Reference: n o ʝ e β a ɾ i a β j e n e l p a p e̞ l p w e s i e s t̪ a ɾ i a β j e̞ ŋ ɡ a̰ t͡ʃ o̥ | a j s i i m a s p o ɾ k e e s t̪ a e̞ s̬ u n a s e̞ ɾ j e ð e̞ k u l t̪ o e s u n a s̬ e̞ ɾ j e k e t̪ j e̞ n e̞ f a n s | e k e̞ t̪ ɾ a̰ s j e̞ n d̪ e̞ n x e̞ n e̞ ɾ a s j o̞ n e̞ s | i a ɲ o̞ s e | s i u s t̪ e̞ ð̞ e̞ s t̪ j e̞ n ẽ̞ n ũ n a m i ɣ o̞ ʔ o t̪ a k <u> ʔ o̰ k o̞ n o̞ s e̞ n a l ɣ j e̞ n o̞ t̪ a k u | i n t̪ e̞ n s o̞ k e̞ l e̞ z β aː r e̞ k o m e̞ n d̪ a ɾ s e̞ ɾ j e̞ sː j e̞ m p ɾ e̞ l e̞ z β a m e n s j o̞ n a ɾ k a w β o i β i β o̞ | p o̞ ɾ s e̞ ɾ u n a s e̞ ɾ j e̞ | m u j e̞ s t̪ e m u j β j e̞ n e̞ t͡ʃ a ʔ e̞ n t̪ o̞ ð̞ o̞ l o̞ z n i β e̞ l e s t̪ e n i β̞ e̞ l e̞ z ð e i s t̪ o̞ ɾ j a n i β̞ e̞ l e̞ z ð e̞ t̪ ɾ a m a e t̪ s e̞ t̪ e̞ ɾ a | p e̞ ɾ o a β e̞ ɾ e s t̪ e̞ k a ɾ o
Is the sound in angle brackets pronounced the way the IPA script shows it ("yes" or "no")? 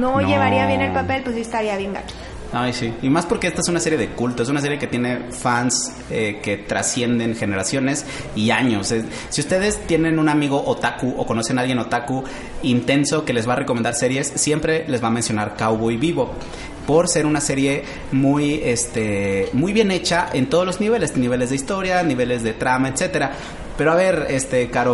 yes